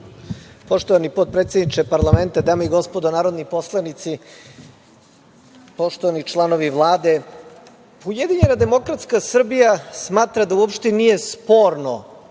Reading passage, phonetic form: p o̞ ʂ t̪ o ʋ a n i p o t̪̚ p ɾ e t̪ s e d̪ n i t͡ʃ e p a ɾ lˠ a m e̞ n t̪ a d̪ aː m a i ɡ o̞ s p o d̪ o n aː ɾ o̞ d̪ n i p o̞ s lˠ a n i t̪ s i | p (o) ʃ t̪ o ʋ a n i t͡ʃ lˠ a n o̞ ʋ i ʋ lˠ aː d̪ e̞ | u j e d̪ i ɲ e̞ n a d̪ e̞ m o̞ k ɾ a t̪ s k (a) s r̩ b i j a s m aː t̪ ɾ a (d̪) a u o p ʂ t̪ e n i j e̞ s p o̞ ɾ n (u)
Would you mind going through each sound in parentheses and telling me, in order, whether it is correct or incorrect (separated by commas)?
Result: correct, correct, correct, incorrect